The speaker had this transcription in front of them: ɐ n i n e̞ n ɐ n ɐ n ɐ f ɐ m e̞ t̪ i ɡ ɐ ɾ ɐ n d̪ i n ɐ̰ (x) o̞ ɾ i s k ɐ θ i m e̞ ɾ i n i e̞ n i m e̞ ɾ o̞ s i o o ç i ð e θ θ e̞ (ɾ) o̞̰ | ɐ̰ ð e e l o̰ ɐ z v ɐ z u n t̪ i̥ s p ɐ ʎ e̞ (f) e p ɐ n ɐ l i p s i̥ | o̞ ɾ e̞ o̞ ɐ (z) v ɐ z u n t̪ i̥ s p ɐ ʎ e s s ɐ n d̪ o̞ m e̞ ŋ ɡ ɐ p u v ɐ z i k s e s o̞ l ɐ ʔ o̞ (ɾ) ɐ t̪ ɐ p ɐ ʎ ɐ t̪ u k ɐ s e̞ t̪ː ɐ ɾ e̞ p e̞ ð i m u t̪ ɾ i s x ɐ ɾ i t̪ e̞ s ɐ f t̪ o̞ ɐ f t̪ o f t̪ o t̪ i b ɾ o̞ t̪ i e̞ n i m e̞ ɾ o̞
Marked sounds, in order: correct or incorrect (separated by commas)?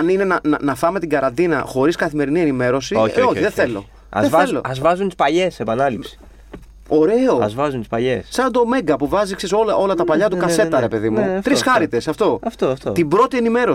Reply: correct, incorrect, incorrect, correct, incorrect